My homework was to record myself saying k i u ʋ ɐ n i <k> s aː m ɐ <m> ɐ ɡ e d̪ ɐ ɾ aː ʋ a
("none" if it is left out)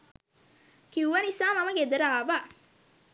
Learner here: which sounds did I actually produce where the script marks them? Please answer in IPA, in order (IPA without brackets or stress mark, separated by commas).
none, m